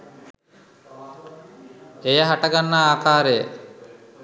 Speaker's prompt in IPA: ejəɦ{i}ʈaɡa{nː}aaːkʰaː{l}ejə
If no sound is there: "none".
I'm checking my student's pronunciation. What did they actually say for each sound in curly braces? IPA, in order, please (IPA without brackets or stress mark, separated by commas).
a, nː, ɾ